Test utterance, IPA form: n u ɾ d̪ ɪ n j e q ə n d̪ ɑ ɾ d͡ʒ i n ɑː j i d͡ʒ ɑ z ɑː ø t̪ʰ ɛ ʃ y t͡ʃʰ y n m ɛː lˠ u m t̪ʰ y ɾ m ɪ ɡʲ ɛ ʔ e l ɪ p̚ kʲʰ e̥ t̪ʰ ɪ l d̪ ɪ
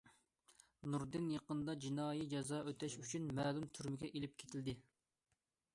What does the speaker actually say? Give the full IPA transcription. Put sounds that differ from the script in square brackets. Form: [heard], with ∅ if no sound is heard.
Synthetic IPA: n u ɾ d̪ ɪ n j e q ə n d̪ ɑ [∅] d͡ʒ i n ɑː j i d͡ʒ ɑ z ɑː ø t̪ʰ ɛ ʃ y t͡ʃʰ y n m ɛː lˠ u m t̪ʰ y ɾ m ɪ ɡʲ ɛ ʔ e l ɪ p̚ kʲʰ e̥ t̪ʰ ɪ l d̪ ɪ